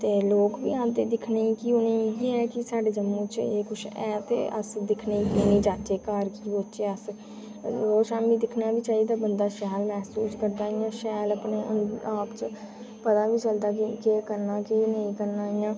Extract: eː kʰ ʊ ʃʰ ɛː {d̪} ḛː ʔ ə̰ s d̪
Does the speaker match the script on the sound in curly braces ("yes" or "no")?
no